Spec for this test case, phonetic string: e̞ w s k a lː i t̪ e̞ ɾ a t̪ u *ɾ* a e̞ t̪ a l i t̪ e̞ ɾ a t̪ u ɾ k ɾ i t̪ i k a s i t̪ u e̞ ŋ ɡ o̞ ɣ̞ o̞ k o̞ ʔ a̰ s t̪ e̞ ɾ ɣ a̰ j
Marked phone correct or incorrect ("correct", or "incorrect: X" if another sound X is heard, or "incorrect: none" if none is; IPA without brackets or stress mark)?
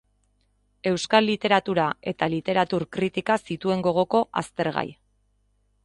correct